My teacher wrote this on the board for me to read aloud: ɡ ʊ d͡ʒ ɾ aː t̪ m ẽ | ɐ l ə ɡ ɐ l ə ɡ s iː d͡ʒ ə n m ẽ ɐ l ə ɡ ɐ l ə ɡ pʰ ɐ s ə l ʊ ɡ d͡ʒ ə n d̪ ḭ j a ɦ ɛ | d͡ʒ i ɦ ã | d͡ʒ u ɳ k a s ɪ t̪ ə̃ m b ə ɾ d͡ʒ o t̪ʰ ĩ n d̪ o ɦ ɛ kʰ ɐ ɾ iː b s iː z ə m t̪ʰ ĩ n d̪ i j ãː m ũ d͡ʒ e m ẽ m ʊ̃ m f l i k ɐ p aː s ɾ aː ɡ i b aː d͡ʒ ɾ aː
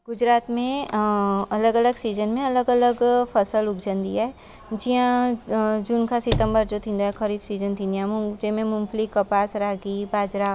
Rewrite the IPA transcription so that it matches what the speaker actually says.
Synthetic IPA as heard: ɡ ʊ d͡ʒ ɾ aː t̪ m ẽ | ɐ l ə ɡ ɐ l ə ɡ s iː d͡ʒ ə n m ẽ ɐ l ə ɡ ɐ l ə ɡ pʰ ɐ s ə l ʊ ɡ d͡ʒ ə n d̪ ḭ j a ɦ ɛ | d͡ʒ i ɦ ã | d͡ʒ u n k a s ɪ t̪ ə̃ m b ə ɾ d͡ʒ o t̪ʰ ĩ n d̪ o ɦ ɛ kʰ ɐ ɾ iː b s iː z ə n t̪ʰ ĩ n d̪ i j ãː m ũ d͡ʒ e m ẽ m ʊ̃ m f l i k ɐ p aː s ɾ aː ɡ i b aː d͡ʒ ɾ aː